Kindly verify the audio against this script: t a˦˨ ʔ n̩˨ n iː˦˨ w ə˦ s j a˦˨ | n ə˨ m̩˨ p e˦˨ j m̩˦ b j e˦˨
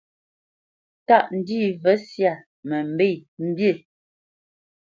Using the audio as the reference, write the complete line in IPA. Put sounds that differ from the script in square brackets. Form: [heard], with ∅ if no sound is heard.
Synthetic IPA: t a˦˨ ʔ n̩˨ [d] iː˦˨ [v] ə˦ s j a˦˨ | [m] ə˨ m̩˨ [b] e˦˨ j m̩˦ b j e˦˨